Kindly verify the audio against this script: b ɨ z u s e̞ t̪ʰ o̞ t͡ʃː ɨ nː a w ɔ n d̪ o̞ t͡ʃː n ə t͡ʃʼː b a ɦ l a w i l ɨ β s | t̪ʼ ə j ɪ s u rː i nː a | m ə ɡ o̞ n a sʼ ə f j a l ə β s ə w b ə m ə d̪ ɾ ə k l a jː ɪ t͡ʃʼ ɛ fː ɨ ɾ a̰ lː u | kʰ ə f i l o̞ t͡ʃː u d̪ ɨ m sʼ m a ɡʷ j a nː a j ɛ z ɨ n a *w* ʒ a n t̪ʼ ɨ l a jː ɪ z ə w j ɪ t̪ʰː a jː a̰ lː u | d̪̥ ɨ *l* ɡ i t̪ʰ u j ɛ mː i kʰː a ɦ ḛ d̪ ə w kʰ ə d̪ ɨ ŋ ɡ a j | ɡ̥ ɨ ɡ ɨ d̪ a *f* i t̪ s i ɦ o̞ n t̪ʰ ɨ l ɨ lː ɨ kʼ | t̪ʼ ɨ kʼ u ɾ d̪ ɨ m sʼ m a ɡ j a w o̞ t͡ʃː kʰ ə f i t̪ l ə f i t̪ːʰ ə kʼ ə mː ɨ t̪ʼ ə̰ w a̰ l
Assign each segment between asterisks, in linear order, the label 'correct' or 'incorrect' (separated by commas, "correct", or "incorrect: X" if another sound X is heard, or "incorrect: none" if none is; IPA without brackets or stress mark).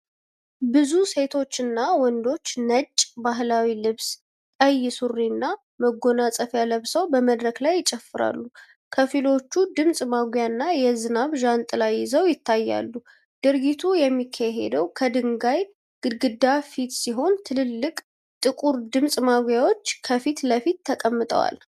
incorrect: β, incorrect: ɾ, correct